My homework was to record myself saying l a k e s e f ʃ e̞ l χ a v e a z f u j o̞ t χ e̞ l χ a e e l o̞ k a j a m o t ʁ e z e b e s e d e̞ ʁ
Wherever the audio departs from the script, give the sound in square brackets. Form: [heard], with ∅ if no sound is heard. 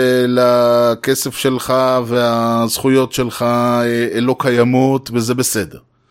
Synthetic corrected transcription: l a k e s e f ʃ e̞ l χ a v e a z [χ] u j o̞ t [ʃ] e̞ l χ a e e l o̞ k a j a m o t [v] e z e b e s e d e̞ ʁ